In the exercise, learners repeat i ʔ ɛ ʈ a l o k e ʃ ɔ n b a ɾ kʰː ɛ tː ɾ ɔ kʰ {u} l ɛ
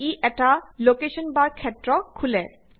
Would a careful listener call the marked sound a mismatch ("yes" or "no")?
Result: no